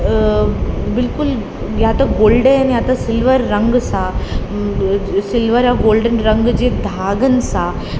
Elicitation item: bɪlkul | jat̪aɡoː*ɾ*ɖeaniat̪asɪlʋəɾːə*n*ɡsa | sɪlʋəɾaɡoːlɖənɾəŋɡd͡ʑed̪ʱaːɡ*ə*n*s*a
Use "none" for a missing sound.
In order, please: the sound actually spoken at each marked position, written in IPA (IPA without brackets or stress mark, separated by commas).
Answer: l, ŋ, ə, s